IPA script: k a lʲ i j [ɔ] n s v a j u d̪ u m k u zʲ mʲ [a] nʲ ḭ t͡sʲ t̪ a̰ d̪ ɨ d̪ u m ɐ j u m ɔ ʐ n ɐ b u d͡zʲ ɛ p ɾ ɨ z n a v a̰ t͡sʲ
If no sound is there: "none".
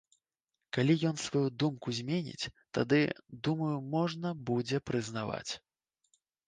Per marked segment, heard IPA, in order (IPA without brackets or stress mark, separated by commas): ɔ, e